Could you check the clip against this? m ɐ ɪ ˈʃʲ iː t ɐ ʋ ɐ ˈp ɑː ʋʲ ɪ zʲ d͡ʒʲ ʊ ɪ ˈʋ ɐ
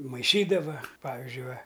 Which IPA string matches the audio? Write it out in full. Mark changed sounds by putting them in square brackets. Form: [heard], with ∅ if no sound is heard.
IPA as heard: m ɐ ɪ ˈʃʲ iː [d] ɐ ʋ ɐ ˈp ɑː ʋʲ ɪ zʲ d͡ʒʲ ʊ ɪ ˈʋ ɐ